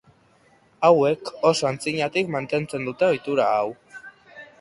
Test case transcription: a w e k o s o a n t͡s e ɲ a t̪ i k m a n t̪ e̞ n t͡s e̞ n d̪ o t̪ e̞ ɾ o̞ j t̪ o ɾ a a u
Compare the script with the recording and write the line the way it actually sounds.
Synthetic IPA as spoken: a w e k o s o a n t͡s i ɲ a t̪ i k m a n t̪ e̞ n t͡s e̞ n d̪ u t̪ e̞ o̞ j t̪ u ɾ a a w